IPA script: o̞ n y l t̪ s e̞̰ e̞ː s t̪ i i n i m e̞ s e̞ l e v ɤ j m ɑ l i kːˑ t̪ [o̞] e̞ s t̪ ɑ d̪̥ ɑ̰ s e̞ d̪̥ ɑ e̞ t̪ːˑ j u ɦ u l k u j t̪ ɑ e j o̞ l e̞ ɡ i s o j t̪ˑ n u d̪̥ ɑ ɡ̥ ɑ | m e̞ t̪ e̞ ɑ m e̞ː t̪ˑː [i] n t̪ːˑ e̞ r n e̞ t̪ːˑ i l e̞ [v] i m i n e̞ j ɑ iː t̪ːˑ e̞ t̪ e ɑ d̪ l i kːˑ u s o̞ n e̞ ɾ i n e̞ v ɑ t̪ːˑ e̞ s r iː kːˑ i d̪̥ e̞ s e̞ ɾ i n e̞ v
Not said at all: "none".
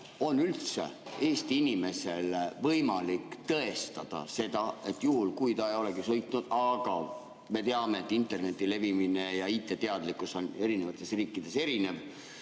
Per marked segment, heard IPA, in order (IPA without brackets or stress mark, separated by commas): ɤ̞, i, v